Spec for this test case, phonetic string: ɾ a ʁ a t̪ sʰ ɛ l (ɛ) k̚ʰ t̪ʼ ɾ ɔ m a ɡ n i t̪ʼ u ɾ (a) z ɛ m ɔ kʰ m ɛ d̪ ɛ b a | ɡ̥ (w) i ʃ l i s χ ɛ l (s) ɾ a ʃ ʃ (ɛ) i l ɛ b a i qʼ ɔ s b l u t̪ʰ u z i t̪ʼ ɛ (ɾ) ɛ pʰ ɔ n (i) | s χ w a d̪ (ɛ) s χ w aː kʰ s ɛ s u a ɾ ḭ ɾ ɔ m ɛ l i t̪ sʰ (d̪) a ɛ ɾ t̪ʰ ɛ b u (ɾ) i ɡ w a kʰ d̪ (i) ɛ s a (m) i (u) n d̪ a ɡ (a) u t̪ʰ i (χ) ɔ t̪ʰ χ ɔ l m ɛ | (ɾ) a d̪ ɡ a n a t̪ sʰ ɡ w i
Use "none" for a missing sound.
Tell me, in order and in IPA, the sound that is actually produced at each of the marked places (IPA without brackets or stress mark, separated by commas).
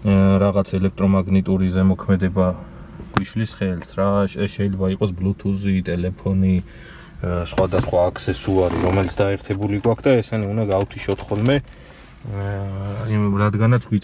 ɛ, i, w, s, ɛ, l, i, a, d̪, l, a, n, u, a, ʃ, ɾ